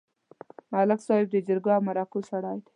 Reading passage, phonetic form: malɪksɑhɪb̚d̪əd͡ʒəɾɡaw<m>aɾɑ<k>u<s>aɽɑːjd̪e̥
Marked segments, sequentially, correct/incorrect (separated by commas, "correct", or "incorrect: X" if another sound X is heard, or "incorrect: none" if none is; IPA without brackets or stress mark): correct, correct, correct